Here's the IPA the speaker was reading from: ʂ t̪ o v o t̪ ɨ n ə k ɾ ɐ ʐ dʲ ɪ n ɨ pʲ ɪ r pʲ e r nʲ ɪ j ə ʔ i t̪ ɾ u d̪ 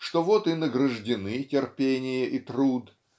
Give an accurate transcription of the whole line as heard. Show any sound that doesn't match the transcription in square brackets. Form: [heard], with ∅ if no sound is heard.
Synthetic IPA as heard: ʂ t̪ o v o t̪ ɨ n ə [ɡ] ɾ [ə] ʐ dʲ ɪ n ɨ [tʲ] ɪ r pʲ e [∅] nʲ ɪ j ə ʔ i t̪ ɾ u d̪